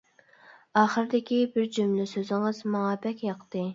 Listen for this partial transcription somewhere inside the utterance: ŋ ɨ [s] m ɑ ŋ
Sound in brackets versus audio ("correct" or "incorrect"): incorrect